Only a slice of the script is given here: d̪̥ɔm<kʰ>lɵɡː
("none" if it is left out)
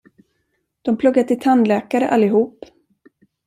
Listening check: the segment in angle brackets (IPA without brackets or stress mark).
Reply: pʰ